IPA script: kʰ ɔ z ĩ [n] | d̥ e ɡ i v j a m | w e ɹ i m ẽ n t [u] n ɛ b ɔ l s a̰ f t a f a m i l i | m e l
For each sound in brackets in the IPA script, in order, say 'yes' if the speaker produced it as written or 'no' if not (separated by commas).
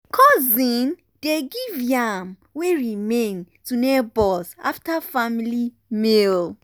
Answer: yes, yes